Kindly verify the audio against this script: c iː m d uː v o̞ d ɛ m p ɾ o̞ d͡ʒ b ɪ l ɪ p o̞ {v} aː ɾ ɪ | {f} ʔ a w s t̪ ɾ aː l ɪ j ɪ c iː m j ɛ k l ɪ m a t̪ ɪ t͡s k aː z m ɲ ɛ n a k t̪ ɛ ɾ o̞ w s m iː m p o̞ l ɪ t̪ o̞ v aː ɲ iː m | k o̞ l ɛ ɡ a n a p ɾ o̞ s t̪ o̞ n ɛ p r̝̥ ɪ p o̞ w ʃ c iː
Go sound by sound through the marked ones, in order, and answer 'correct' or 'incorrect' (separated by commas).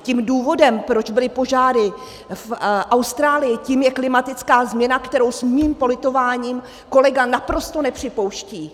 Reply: incorrect, correct